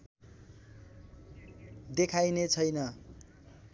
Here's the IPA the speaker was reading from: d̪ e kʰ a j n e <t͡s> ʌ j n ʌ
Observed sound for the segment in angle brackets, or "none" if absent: t͡sʰ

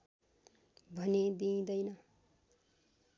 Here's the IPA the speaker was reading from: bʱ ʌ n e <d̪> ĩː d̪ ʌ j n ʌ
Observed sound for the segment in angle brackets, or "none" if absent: d̪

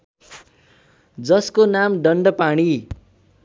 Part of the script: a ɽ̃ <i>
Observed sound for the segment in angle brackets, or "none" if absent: i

